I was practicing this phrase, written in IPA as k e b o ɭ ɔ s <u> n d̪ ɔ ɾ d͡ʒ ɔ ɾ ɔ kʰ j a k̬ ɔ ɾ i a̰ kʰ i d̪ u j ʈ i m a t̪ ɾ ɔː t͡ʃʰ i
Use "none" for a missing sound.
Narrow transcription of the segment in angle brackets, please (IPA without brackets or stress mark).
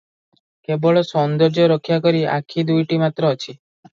ɔ